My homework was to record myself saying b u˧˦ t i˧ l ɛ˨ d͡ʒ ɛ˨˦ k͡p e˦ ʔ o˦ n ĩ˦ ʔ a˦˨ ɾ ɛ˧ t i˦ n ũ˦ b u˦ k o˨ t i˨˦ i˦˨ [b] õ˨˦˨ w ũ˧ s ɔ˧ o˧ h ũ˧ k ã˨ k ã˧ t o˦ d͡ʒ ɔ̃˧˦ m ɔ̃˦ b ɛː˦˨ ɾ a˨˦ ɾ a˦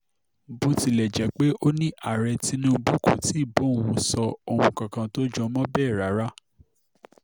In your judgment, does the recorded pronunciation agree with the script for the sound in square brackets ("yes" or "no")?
yes